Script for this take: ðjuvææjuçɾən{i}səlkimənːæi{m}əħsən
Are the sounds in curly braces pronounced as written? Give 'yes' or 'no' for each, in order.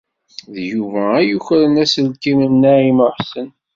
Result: no, yes

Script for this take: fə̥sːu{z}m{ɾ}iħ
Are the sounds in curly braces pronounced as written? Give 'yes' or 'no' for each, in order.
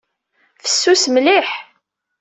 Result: no, no

